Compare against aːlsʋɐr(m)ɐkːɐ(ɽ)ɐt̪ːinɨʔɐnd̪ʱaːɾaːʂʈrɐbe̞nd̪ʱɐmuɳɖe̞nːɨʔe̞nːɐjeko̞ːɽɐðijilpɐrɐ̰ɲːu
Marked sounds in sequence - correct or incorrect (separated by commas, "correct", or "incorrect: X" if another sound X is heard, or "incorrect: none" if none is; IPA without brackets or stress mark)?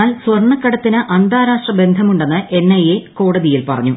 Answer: incorrect: ɳ, correct